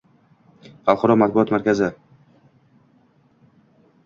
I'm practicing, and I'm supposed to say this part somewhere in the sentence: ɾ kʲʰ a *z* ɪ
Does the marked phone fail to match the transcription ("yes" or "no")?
no